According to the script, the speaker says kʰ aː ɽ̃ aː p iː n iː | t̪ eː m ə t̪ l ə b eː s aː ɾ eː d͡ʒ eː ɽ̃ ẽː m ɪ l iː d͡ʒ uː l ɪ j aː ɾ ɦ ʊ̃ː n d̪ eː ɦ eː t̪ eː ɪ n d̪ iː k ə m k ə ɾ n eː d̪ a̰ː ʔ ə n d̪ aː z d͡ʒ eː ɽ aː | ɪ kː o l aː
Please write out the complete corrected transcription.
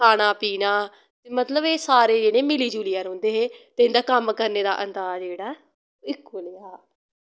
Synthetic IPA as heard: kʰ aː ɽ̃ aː p iː n aː | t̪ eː m ə t̪ l ə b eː s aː ɾ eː d͡ʒ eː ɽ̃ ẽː m ɪ l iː d͡ʒ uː l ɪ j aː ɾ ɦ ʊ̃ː n d̪ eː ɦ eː t̪ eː ɪ n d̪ aː k ə m k ə ɾ n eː d̪ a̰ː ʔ ə n d̪ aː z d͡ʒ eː ɽ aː | ɪ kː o l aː

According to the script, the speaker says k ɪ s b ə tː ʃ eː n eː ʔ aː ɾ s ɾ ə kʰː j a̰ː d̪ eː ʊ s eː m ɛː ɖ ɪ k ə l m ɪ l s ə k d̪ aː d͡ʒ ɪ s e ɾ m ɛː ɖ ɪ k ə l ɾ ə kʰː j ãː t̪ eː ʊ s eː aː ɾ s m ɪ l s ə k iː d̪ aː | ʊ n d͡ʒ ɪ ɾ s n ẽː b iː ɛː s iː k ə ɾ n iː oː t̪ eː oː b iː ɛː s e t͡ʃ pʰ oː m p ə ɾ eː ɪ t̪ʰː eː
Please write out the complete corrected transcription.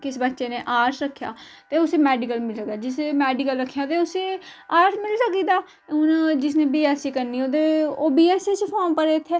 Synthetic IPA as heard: k ɪ s b ə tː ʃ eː n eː ʔ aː ɾ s ɾ ə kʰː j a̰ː t̪ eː ʊ s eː m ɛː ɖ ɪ k ə l m ɪ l s ə k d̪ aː d͡ʒ ɪ s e m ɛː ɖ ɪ k ə l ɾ ə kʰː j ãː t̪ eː ʊ s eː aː ɾ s m ɪ l s ə k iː d̪ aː | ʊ n d͡ʒ ɪ s n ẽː b iː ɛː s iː k ə ɾ n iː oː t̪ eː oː b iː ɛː s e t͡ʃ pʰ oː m p ə ɾ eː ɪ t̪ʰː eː

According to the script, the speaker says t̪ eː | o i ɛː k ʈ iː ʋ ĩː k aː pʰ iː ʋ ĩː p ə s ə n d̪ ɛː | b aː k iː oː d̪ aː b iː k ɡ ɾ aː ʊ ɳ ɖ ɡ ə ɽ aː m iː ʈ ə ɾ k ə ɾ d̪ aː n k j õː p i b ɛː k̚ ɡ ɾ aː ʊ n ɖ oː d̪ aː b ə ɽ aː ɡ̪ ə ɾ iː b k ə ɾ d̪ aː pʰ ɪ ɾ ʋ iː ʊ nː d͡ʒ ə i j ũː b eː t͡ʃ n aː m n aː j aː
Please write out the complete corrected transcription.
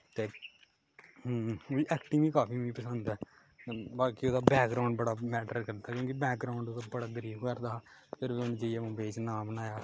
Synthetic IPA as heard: t̪ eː | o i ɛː k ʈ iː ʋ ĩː k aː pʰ iː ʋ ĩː p ə s ə n d̪ ɛː | b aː k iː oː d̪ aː b ɛː k ɡ ɾ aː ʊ ɳ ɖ b ə ɽ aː m ɛː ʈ ə ɾ k ə ɾ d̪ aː k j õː k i b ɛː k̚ ɡ ɾ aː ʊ ɳ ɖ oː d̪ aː b ə ɽ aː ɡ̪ ə ɾ iː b k ə ɾ d̪ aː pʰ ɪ ɾ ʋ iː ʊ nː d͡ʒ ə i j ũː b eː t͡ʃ n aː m n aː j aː

